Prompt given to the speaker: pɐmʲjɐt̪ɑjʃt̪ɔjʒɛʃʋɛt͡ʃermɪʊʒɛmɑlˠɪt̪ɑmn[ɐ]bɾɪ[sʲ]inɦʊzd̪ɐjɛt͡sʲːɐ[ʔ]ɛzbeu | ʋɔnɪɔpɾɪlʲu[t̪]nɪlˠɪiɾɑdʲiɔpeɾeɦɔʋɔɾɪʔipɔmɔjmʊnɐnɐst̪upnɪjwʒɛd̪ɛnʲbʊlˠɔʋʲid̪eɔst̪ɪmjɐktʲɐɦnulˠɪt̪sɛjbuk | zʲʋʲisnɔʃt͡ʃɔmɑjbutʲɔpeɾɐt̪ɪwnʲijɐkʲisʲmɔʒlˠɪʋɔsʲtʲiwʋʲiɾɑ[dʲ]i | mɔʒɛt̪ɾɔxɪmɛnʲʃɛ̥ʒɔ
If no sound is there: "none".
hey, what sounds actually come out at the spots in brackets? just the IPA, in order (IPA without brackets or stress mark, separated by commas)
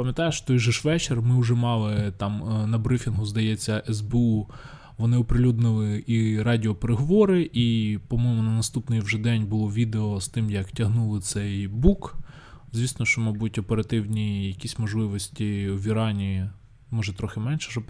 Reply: ɐ, fʲ, ʔ, d̪, nʲ